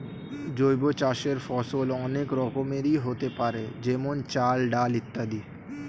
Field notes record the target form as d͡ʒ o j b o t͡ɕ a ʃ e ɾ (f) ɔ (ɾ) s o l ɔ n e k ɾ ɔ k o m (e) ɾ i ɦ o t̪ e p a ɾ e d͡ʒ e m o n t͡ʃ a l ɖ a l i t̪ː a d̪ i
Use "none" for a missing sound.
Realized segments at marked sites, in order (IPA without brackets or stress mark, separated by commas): f, none, e